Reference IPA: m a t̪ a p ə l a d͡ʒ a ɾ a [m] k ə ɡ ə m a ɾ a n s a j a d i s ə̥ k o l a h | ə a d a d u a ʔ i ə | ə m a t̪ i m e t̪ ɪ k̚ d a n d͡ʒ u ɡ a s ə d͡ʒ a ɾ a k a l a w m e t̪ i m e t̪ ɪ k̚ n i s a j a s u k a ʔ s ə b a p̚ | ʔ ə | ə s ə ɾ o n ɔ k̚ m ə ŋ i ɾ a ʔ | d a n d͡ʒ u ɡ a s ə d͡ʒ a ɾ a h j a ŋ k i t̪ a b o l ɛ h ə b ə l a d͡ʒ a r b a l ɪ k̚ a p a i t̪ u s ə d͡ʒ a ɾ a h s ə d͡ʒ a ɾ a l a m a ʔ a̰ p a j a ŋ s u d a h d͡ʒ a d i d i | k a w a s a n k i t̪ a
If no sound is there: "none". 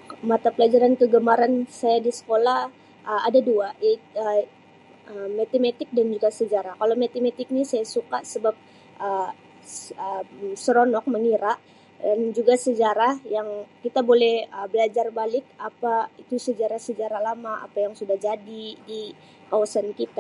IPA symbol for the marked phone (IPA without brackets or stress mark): n